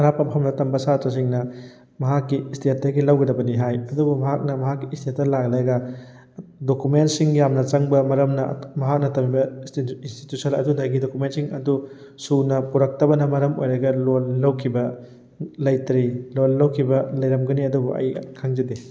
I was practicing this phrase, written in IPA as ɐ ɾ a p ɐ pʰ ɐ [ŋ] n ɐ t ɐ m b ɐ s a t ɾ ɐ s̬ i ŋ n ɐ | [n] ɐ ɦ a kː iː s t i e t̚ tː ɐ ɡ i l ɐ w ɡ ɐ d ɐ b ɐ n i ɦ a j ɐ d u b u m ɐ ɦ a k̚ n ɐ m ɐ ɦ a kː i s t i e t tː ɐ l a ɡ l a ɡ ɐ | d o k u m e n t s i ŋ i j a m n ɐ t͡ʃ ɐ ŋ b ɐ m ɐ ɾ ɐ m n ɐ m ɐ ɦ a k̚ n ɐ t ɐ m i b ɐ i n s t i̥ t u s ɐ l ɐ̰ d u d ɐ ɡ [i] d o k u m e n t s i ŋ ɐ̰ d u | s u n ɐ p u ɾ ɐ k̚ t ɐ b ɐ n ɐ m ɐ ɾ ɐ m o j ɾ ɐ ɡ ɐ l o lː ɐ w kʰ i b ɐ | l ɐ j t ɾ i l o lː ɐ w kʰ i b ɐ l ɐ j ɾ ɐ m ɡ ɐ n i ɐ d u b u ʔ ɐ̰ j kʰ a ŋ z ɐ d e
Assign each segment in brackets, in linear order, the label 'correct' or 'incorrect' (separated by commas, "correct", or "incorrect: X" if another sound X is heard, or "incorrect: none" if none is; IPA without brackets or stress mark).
incorrect: m, incorrect: m, correct